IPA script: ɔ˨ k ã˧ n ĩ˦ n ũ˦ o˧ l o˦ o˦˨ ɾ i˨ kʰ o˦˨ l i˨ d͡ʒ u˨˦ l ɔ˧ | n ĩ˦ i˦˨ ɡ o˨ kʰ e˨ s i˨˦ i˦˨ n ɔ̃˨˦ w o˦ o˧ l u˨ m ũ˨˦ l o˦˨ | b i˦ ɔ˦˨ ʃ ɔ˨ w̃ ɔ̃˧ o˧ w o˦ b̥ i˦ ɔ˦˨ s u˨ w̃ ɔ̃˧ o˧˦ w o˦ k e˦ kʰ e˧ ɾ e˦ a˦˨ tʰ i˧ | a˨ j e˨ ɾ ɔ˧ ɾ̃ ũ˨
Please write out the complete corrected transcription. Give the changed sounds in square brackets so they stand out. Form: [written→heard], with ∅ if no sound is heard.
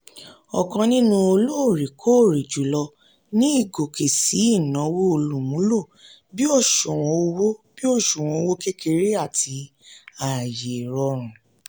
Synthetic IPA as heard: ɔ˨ k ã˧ n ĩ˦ n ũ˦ o˧ l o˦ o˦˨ ɾ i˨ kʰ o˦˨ [l→ɾ] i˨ d͡ʒ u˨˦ l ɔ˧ | n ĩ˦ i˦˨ ɡ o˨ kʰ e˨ s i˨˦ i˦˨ n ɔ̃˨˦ w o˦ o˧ l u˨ m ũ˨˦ l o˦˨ | b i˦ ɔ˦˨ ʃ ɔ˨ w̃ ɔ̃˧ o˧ w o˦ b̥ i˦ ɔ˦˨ [s→ʃ] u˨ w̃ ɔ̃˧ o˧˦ w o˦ k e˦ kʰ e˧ ɾ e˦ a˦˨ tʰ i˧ | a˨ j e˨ ɾ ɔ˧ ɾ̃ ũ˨

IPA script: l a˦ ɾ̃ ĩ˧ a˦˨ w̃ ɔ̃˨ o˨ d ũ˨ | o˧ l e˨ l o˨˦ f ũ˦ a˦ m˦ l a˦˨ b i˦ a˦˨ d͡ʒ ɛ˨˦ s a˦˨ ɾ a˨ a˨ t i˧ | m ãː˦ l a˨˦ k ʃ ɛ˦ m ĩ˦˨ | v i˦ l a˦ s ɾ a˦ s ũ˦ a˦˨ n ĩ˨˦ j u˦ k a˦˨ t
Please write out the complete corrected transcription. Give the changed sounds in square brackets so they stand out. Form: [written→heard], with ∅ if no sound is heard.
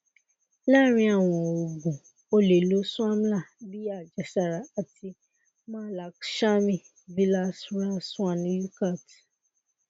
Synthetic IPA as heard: l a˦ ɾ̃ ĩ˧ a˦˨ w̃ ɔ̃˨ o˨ [d→ɡ] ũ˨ | o˧ l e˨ l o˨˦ [f→s] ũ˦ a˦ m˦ l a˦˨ b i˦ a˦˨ d͡ʒ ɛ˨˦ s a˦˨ ɾ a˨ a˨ t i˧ | m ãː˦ l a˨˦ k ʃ [ɛ˦→a˦] m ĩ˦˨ | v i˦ l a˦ s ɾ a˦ s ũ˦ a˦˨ n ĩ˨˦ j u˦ k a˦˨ t

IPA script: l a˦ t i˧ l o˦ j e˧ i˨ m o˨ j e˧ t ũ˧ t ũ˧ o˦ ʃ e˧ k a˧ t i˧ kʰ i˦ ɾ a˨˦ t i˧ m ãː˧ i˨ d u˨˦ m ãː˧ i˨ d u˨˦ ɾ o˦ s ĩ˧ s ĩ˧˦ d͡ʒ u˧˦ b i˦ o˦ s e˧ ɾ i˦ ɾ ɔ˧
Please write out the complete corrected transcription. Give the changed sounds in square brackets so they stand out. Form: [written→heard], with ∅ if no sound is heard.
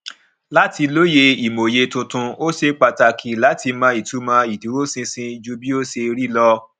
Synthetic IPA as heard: l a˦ t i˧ l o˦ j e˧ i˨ m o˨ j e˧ t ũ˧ t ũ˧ o˦ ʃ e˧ [k→k͡p] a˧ t [i˧→a˧] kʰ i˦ [ɾ→l] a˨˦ t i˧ m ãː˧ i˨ [d→t] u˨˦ m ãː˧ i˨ d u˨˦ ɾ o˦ s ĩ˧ s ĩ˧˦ d͡ʒ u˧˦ b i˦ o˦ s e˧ ɾ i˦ [ɾ→l] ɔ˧

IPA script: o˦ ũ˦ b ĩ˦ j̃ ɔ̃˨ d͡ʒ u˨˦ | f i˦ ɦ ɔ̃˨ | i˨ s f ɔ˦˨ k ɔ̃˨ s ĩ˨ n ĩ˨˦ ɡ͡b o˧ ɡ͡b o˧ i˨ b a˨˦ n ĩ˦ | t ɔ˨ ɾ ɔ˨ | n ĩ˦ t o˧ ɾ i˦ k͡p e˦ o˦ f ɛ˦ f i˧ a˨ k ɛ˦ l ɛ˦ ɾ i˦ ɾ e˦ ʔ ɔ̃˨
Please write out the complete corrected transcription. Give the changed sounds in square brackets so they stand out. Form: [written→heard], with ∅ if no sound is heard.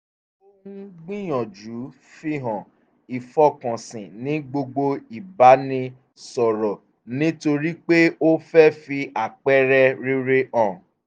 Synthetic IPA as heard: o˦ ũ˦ [b→ɡ͡b] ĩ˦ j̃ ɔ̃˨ d͡ʒ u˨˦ | f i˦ ɦ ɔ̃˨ | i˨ [s→∅] f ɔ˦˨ k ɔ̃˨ s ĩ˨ n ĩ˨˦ ɡ͡b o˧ ɡ͡b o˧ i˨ b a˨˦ n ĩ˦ | [t→s] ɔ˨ ɾ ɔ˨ | n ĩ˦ t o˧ ɾ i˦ k͡p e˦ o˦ f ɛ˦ f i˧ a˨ [k→k͡p] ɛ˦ [l→ɾ] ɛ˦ ɾ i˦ ɾ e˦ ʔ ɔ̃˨

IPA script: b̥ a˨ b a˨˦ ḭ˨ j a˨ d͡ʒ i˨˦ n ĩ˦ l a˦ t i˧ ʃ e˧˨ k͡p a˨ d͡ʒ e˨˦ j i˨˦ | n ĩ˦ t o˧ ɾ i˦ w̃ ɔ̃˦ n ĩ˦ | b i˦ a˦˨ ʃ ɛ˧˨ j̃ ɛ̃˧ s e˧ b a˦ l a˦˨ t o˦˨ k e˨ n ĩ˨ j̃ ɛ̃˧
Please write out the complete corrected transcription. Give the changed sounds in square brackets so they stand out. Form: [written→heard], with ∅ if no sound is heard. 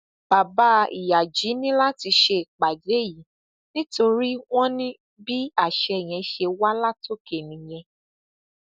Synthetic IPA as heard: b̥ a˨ b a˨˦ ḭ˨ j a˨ d͡ʒ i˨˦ n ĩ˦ l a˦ t i˧ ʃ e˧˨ k͡p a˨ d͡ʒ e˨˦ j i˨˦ | n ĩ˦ t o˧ ɾ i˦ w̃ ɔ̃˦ n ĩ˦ | b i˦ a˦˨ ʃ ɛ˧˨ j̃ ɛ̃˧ [s→ʃ] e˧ [b→w] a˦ l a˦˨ t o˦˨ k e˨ n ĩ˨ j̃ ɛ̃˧

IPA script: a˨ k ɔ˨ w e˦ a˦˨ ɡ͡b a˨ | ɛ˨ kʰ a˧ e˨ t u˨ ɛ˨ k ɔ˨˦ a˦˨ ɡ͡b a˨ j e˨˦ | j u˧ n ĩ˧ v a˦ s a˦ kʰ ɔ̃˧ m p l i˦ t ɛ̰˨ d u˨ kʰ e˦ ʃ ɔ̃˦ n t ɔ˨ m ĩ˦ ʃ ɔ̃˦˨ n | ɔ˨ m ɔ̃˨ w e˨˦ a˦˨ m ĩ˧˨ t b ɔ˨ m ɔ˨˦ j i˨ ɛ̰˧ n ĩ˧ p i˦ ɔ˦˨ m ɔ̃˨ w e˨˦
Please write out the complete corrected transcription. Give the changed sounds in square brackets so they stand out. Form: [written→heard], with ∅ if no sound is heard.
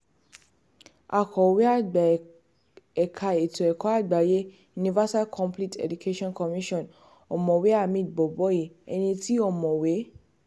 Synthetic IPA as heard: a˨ k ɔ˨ w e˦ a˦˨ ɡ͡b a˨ | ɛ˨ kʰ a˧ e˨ t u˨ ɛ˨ k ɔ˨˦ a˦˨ ɡ͡b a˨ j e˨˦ | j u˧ n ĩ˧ v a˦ s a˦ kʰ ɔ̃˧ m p l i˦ t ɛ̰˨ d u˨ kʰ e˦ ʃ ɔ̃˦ n [t→k] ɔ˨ m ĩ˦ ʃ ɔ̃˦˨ n | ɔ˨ m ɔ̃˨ w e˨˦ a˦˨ m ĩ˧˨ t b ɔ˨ [m→b] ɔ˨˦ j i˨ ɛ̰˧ n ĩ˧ [p→t] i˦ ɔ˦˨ m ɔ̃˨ w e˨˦

